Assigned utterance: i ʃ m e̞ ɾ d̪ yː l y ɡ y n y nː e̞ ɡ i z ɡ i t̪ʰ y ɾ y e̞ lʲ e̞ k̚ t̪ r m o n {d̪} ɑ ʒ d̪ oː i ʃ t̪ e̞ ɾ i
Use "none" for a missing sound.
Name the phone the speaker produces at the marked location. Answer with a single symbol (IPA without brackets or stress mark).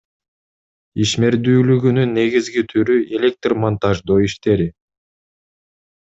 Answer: t̪